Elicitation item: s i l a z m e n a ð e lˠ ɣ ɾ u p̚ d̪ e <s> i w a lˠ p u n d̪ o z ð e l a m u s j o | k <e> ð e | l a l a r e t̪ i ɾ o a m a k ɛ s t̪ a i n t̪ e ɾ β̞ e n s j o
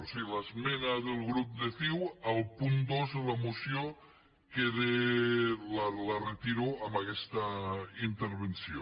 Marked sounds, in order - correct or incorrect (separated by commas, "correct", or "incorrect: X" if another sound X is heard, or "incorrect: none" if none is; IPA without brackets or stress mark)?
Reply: incorrect: θ, correct